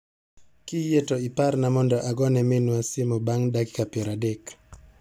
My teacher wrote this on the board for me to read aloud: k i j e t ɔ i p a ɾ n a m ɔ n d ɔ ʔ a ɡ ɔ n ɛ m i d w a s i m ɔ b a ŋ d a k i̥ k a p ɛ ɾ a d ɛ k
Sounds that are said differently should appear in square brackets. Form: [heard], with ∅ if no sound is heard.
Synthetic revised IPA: k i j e t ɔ i p a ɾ n a m ɔ n d ɔ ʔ a ɡ ɔ n ɛ m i [n] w a s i m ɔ b a ŋ d a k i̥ k a p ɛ ɾ a d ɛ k